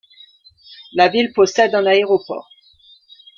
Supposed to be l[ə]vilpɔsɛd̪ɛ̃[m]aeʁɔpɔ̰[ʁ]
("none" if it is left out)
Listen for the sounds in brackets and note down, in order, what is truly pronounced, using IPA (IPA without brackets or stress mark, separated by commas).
a, n, ʁ